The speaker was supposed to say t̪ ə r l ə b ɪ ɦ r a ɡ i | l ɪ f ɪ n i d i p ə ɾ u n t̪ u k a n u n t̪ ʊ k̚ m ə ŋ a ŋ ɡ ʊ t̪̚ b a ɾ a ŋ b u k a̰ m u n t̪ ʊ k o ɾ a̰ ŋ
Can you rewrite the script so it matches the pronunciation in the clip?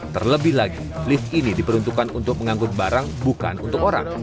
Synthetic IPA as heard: t̪ ə r l ə b ɪ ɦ l a ɡ i | l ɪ f i n i d i p ə ɾ u n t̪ u k a n u n t̪ ʊ k̚ m ə ŋ a ŋ ɡ ʊ t̪̚ b a ɾ a ŋ b u k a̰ n u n t̪ ʊ k o ɾ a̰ ŋ